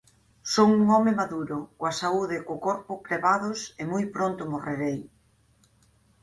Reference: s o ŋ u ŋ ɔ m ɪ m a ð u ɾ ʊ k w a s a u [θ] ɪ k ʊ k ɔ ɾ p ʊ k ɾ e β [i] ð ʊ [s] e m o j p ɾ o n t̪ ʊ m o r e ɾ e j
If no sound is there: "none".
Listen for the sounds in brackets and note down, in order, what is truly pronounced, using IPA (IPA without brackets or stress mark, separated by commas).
ð, a, s